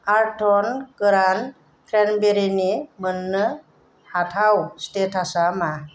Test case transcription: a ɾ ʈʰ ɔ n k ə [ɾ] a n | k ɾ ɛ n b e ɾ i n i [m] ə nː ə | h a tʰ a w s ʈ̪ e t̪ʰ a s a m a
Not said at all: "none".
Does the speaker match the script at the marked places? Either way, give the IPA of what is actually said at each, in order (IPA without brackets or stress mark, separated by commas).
ɾ, m